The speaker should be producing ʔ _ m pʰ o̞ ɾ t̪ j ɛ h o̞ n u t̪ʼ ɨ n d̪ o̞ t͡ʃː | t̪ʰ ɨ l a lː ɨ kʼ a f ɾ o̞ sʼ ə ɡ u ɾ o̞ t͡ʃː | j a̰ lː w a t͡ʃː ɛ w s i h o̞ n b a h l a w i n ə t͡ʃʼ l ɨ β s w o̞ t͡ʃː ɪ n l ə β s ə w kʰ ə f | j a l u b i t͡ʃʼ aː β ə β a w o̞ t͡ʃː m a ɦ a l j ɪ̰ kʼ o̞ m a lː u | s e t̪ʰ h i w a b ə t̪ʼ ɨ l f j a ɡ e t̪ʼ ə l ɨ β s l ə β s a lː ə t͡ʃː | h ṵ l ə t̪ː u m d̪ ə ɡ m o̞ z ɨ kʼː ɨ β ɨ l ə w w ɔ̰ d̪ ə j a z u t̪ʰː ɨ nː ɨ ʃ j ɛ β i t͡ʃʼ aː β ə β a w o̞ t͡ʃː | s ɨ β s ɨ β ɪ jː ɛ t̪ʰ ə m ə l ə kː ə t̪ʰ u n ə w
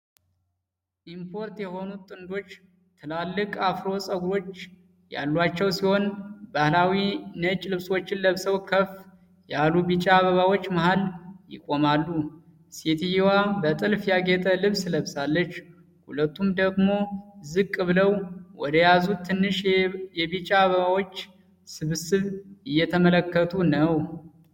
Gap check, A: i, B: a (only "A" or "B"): A